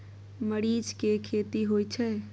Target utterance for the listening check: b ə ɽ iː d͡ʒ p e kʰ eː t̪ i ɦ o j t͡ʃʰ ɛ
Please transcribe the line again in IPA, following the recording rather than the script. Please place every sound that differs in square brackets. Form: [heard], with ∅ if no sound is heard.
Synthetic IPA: [m] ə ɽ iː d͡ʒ [k] e kʰ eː t̪ i ɦ o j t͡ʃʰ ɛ